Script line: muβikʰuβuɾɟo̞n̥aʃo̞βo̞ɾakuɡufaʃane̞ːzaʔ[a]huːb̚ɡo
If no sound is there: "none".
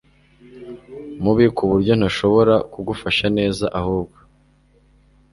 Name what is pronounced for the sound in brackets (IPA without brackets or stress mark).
a